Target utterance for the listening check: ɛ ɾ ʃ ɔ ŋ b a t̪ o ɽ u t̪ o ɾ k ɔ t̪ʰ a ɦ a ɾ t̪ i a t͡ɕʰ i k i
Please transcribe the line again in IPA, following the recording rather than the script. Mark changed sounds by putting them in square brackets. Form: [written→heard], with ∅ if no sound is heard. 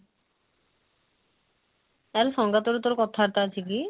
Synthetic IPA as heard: ɛ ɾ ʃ ɔ ŋ [b→ɡ] a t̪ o [ɽ→ɾ] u t̪ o ɾ k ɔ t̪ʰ a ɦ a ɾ t̪ [i→a] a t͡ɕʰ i k i